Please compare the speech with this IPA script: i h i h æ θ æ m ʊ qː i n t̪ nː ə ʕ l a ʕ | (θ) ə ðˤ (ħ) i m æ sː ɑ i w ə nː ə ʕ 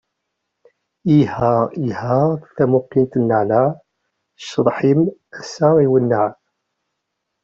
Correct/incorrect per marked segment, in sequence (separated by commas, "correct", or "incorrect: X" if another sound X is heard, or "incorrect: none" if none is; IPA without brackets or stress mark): incorrect: ʃ, correct